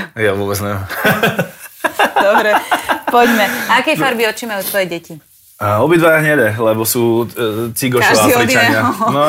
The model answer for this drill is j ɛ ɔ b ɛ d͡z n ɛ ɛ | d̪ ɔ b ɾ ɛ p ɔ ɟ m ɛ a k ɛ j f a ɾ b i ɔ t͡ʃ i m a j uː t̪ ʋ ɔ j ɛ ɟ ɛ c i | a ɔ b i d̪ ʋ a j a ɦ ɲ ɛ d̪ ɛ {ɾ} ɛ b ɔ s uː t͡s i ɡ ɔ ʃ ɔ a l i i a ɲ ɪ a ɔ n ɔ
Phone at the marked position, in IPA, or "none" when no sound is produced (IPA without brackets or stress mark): l